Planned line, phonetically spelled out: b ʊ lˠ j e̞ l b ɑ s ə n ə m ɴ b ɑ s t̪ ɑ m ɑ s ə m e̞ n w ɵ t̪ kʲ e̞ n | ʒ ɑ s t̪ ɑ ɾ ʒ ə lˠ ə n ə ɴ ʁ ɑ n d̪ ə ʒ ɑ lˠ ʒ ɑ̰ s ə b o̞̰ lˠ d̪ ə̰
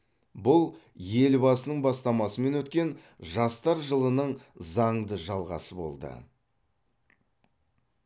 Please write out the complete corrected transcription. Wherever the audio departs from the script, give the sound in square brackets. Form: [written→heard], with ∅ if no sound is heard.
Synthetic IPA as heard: b ʊ lˠ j e̞ l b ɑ s ə n ə [m→∅] ɴ b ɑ s t̪ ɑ m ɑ s ə m e̞ n w ɵ t̪ kʲ e̞ n | ʒ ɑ s t̪ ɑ ɾ ʒ ə lˠ ə n ə ɴ [ʁ→z] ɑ [n→ɴ] d̪ ə ʒ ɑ lˠ [ʒ→ʁ] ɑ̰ s ə b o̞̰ lˠ d̪ ə̰